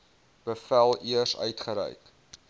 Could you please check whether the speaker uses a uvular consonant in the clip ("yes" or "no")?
yes